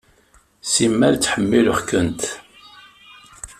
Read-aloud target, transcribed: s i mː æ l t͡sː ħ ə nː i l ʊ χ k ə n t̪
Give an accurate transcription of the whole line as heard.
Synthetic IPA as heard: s i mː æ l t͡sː ħ ə mː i l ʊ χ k ə n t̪